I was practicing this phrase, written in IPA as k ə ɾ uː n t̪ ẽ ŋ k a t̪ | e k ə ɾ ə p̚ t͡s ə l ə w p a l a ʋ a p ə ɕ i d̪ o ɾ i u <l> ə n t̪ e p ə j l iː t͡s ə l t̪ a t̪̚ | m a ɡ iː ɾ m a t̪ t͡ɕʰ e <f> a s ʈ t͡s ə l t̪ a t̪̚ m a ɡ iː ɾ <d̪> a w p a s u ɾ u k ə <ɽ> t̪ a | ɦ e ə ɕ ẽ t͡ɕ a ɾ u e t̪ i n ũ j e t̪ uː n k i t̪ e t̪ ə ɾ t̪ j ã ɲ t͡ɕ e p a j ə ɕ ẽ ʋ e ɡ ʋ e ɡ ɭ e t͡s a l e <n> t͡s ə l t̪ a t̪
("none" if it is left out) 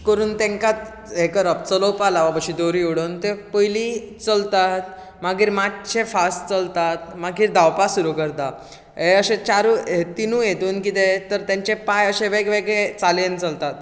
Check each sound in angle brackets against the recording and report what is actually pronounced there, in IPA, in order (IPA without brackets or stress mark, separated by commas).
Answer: ɽ, f, d̪, ɾ, n